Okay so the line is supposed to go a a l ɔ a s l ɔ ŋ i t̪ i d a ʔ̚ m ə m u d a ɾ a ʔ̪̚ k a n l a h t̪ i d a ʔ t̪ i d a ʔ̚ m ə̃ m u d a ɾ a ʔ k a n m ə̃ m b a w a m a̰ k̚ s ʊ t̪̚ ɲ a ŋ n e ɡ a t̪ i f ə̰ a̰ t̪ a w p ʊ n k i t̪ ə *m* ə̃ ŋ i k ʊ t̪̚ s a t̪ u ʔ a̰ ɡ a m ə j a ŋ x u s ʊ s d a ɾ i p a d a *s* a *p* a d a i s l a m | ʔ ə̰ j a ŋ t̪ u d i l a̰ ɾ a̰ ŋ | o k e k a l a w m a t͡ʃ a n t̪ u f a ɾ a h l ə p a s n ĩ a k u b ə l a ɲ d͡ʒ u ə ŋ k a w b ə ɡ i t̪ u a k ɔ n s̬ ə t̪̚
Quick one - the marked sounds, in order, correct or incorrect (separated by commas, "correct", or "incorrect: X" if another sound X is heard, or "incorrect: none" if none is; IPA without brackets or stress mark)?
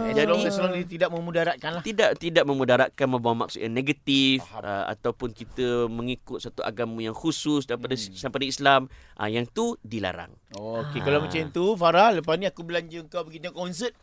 correct, correct, correct